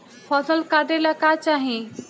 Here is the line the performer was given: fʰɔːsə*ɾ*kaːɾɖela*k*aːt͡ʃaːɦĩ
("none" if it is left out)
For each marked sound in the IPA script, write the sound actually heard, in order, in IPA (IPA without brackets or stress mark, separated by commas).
l, k